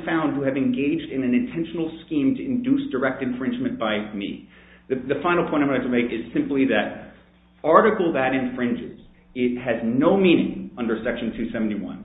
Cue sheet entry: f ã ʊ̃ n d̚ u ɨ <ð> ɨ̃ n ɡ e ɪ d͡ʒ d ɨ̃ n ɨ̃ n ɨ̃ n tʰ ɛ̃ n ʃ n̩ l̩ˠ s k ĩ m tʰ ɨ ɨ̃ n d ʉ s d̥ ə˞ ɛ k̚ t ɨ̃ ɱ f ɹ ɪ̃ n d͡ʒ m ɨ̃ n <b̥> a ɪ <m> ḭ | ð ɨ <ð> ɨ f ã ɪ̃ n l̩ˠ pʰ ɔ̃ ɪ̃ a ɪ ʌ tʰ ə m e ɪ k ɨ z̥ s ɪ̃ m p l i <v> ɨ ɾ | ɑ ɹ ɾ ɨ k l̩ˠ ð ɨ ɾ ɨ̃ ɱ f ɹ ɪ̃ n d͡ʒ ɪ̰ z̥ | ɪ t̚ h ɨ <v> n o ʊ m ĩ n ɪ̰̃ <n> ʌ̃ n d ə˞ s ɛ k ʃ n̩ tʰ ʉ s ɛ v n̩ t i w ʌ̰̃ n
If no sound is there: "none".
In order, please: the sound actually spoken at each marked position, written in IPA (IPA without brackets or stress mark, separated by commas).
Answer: v, b̥, m, ð, ð, z, ŋ